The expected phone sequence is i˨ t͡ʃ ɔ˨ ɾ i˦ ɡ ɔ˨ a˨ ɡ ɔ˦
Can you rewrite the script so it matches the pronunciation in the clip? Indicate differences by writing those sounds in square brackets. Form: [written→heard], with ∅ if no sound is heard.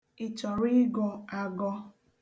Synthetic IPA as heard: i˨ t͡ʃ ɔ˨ ɾ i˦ ɡ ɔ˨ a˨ ɡ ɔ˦